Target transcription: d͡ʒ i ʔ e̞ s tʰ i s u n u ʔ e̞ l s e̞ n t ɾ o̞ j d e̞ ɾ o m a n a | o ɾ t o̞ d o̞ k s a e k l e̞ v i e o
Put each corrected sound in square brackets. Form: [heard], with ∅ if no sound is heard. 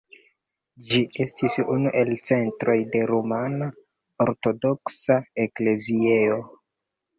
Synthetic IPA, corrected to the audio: d͡ʒ i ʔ e̞ s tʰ i s u n u ʔ e̞ l [t͡s] e̞ n t ɾ o̞ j d e̞ ɾ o m a n a | o ɾ t o̞ d o̞ k s a e k l e̞ [z] i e o

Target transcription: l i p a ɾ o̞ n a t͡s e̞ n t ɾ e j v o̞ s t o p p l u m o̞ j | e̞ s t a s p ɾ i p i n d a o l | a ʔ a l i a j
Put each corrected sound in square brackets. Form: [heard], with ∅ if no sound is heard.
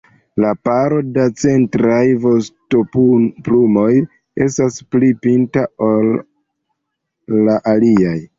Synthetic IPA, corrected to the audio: l [a] p a ɾ o̞ [d] a t͡s e̞ n t ɾ [a] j v o̞ s t o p p l u m o̞ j | e̞ s t a s p [l] i p i n [t] a o l | a ʔ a l i a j

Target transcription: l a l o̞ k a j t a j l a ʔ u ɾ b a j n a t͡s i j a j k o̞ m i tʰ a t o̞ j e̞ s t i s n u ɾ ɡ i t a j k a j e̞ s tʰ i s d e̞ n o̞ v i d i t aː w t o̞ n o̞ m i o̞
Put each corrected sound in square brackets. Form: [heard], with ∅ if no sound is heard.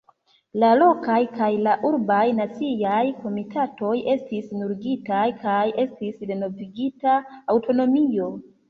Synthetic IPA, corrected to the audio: l a l o̞ k a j [k] a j l a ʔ u ɾ b a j n a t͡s i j a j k o̞ m i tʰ a t o̞ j e̞ s t i s n u ɾ ɡ i t a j k a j e̞ s [t] i s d e̞ n o̞ v i [ɡ] i t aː w t o̞ n o̞ m i o̞

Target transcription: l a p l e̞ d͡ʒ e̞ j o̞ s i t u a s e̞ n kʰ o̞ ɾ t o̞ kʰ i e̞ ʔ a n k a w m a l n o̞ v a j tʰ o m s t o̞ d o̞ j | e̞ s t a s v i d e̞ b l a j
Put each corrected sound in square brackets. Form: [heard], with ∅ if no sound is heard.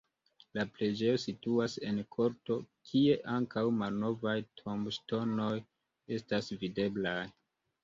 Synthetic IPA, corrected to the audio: l a p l e̞ d͡ʒ e̞ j o̞ s i t u a s e̞ n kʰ o̞ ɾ t o̞ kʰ i e̞ ʔ a [ŋ] k a w m a l n o̞ v a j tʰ o m [ʃ] t o̞ [n] o̞ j | e̞ s t a s v i d e̞ b l a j

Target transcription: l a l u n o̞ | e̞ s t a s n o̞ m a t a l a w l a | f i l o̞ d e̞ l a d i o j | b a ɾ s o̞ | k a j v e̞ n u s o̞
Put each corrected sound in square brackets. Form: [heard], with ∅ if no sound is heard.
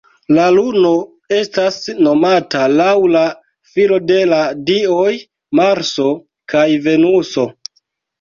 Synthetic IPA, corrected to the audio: l a l u n o̞ | e̞ s t a s n o̞ m a t a l a w l a | f i l o̞ d e̞ l a d i o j | [m] a ɾ s o̞ | k a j v e̞ n u s o̞

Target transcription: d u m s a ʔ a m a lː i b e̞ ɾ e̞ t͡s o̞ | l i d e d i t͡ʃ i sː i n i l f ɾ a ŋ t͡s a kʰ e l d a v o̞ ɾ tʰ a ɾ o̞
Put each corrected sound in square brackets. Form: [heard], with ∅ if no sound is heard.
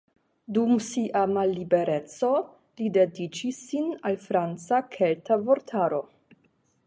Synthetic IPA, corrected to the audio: d u m s [i] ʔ a m a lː i b e̞ ɾ e̞ t͡s o̞ | l i d e d i t͡ʃ i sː i n [a] l f ɾ a [n] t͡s a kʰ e l [t] a v o̞ ɾ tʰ a ɾ o̞

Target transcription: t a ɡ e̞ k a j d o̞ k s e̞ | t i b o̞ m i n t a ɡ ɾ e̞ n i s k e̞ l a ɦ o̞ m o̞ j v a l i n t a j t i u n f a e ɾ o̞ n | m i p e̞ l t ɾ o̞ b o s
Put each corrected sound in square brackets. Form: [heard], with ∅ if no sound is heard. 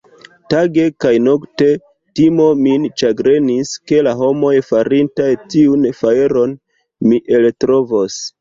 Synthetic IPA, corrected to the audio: t a ɡ e̞ k a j [n] o̞ k [t] e̞ | t i [m] o̞ m i n [t͡ʃ] a ɡ ɾ e̞ n i s k e̞ l a ɦ o̞ m o̞ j [f] a [ɾ] i n t a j t i u n f a e ɾ o̞ n | m i [ʔ] e̞ l t ɾ o̞ [v] o s

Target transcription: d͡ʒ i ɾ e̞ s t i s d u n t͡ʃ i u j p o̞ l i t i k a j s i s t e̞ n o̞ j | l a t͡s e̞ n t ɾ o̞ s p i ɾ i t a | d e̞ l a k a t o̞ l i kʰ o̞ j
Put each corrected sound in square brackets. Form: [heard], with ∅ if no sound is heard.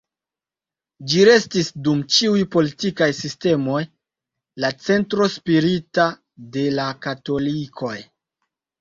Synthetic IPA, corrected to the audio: d͡ʒ i ɾ e̞ s t i s d u [m] t͡ʃ i u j p o̞ l i t i k a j s i s t e̞ [m] o̞ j | l a t͡s e̞ n t ɾ o̞ s p i ɾ i t a | d e̞ l a k a t o̞ l i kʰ o̞ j

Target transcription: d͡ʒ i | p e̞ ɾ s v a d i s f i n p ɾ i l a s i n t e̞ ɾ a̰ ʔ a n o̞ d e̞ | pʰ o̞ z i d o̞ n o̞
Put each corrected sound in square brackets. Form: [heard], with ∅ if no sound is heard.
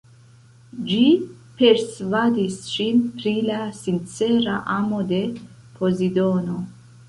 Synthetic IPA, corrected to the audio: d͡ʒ i | p e̞ ɾ s v a d i s [ʃ] i n p ɾ i l a s i n [t͡s] e̞ ɾ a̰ ʔ a [m] o̞ d e̞ | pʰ o̞ z i d o̞ n o̞

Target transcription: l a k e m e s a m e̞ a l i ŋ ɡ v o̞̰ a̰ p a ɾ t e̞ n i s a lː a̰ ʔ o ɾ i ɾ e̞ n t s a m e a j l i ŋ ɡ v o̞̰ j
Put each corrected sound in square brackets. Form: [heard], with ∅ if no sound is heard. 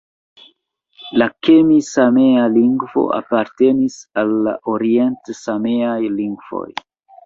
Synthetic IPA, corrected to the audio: l a k e m [i] s a m e̞ a l i ŋ ɡ v o̞̰ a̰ p a ɾ t e̞ n i s a lː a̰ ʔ o ɾ i [∅] e̞ n t s a m e a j l i ŋ ɡ v o̞̰ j

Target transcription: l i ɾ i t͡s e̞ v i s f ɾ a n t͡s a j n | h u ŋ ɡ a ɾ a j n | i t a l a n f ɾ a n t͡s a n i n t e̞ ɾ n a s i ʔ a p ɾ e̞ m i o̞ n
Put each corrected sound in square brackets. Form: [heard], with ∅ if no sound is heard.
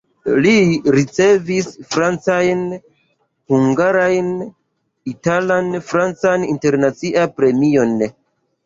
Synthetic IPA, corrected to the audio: l i ɾ i t͡s e̞ v i s f ɾ a n t͡s a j n | h u ŋ ɡ a ɾ a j n | i t a l a n f ɾ a n t͡s a n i n t e̞ ɾ n a [t͡s] i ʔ a p ɾ e̞ m i o̞ n

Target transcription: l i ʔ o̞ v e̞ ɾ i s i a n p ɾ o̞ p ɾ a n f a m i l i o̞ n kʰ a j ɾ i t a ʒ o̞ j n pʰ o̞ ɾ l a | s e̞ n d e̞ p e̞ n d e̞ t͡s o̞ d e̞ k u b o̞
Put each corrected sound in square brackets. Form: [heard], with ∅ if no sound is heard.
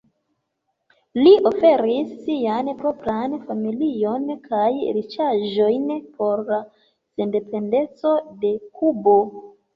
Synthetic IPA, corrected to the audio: l i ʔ o̞ [f] e̞ ɾ i [sː] i a n p ɾ o̞ p ɾ a n f a m i l i o̞ n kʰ a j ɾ i [t͡ʃ] a ʒ o̞ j n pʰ o̞ ɾ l a | s e̞ n d e̞ p e̞ n d e̞ t͡s o̞ d e̞ k u b o̞

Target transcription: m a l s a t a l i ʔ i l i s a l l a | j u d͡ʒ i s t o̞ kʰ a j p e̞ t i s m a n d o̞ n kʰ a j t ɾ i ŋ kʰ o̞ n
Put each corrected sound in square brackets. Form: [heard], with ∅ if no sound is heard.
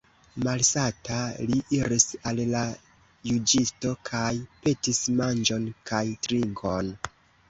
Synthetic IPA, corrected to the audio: m a l s a t a l i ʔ i [ɾ] i s a l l a | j u d͡ʒ i s t o̞ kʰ a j p e̞ t i s m a n [d͡ʒ] o̞ n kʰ a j t ɾ i ŋ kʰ o̞ n

